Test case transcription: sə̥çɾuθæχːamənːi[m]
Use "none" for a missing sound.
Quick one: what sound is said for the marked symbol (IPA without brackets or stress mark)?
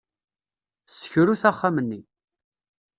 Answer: none